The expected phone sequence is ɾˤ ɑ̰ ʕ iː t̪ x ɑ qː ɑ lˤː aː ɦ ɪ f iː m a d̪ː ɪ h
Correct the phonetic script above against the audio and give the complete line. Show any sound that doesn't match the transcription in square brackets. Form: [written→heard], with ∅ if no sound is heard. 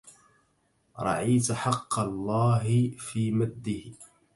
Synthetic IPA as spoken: ɾˤ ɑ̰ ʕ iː t̪ [x→ħ] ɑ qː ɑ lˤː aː ɦ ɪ f iː m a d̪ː ɪ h